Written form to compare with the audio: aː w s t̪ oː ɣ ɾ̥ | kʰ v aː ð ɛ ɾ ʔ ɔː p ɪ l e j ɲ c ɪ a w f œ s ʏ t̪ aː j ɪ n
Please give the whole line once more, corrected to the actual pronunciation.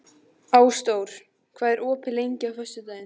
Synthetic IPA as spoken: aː w s t̪ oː w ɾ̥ | kʰ v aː ð ɛ ɾ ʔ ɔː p ɪ l e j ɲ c ɪ a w f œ s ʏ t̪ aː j ɪ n